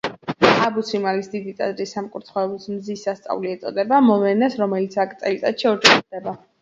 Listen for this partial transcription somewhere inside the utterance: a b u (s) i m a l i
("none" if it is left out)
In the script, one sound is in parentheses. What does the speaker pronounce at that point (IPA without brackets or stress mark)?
s